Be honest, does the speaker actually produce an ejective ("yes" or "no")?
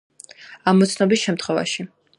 no